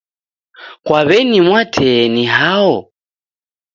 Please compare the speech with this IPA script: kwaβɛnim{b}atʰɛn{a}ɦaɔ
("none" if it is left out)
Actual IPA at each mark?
w, i

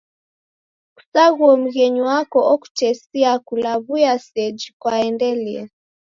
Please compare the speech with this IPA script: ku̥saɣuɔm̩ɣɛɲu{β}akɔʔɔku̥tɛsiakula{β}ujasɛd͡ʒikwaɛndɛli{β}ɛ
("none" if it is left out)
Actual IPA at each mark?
w, β, none

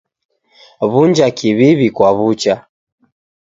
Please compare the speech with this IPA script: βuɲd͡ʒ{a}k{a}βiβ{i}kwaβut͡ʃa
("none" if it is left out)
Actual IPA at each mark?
a, i, i

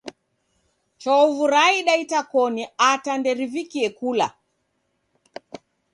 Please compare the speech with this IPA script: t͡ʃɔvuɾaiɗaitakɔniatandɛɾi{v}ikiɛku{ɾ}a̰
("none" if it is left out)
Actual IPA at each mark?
v, l

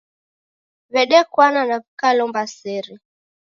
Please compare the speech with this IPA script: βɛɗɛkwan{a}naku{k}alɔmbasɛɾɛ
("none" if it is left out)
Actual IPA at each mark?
a, k

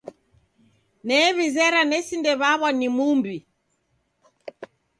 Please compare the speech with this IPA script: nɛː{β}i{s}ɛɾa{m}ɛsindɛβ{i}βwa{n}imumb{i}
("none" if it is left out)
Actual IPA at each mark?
β, z, n, a, n, i

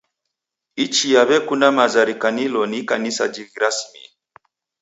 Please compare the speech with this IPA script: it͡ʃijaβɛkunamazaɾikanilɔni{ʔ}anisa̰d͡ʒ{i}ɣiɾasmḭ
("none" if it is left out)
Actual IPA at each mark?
k, i

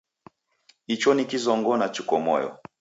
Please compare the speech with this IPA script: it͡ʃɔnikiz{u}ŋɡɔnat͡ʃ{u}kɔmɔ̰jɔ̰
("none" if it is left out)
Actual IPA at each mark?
ɔ, u

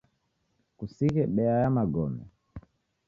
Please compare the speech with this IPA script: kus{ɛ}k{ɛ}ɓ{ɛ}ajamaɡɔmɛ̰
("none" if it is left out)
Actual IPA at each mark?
i, ɛ, ɛ

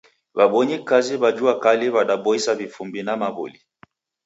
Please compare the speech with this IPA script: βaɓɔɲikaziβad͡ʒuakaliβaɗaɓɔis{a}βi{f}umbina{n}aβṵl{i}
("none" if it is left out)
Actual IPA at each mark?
a, f, m, i

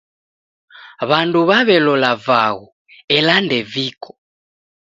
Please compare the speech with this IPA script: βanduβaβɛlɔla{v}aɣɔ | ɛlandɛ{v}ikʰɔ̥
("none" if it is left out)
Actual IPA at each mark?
v, v

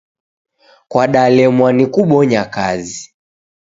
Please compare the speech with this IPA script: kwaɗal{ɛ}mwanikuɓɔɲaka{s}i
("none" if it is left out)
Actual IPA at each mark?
ɛ, z

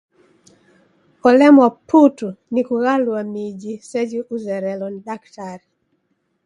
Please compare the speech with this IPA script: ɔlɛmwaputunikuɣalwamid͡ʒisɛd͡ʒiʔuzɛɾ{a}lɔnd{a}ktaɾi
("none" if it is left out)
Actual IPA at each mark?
ɛ, a

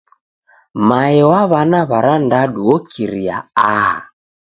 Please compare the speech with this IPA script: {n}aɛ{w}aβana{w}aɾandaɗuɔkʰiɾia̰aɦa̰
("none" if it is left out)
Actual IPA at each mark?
m, w, β

